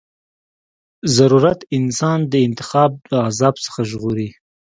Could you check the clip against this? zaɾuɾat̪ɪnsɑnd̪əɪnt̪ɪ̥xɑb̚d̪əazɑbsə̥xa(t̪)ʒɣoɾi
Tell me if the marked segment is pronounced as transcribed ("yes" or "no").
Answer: no